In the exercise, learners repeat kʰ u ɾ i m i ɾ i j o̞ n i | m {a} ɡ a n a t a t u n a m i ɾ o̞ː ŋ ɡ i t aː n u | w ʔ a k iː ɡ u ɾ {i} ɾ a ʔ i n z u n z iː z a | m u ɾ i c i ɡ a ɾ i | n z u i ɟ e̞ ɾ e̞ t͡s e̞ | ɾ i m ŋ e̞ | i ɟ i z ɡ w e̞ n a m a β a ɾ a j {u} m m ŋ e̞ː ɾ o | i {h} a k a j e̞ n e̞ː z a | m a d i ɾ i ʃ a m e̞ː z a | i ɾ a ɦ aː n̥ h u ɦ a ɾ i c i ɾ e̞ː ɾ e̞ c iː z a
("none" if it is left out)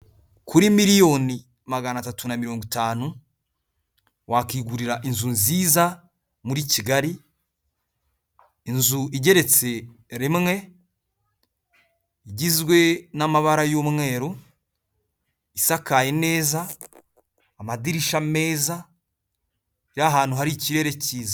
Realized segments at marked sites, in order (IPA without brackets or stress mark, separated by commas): a, i, o, s